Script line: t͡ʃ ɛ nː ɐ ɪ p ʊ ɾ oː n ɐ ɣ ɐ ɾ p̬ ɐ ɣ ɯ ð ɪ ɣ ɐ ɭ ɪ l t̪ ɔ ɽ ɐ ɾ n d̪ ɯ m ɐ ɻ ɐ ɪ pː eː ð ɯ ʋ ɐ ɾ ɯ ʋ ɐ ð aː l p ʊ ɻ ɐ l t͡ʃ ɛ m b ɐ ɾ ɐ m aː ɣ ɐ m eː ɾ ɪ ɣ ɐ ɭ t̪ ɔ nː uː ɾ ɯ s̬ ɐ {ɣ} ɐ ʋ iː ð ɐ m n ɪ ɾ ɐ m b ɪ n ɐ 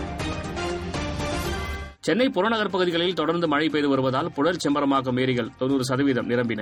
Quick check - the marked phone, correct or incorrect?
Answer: incorrect